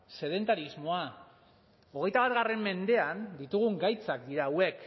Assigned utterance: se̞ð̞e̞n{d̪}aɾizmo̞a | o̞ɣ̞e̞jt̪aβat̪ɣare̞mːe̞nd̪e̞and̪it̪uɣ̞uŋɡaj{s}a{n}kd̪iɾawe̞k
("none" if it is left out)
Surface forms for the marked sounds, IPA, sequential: t̪, t͡s, none

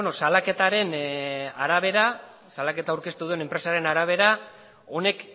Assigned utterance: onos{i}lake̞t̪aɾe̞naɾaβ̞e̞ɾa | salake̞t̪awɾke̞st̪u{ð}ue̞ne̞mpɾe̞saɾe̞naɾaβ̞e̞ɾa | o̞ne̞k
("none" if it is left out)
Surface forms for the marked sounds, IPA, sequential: a, ð

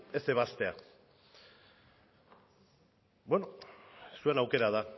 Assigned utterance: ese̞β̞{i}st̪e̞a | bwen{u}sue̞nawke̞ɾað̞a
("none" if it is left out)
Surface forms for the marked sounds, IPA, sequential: a, o

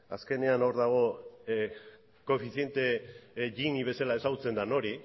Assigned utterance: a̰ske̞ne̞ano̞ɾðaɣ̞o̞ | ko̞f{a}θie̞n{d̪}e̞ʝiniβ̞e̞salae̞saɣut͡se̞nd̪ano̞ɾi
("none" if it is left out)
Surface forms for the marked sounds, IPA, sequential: i, t̪

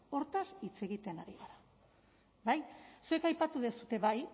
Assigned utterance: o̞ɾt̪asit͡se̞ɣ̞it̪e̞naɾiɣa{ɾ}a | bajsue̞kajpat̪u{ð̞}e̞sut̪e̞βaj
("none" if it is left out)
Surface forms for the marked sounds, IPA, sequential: ɾ, ð̞

